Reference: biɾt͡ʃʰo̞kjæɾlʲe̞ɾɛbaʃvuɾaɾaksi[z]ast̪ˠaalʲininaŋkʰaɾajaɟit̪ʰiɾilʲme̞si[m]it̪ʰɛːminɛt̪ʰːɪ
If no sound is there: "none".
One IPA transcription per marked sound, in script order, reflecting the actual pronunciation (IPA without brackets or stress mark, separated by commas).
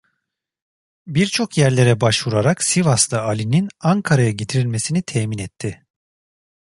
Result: v, n